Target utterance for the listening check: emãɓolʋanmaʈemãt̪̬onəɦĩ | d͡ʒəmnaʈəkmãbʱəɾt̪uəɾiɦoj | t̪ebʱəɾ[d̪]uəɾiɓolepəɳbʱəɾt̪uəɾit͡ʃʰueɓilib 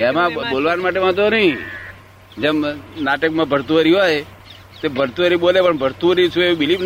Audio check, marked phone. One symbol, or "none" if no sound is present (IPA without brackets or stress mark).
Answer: t̪